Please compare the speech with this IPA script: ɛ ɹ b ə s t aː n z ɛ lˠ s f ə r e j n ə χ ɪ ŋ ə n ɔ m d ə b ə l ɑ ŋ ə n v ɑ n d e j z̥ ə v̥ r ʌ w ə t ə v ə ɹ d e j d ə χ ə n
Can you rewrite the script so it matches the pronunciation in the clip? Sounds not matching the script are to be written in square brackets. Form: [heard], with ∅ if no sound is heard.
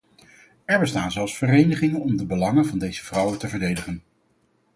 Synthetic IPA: ɛ ɹ b ə s t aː n z ɛ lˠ s f ə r e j n ə χ ɪ ŋ ə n ɔ m d ə b ə l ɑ ŋ ə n v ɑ n d e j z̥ ə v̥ r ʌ w ə t ə v ə ɹ d e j d ə χ ə n